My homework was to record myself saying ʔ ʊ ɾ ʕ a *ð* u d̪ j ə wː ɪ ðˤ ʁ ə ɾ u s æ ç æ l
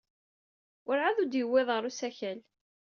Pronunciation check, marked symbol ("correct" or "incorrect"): correct